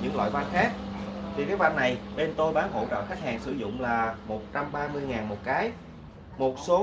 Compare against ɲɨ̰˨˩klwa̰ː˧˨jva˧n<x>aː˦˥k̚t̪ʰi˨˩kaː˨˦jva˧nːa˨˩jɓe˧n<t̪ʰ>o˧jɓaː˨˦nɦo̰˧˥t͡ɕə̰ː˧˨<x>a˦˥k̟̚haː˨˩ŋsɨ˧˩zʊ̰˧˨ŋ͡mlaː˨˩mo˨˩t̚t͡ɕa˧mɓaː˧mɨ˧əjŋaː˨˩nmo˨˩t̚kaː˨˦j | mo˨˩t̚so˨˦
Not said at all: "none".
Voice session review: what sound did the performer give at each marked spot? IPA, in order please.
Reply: x, t̪, x

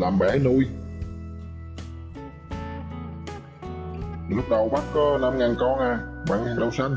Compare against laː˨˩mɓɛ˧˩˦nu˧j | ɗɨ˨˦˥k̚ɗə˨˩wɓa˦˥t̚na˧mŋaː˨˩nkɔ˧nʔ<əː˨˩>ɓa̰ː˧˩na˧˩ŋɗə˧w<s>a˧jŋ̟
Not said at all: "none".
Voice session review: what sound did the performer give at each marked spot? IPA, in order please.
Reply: aː˨˩, s

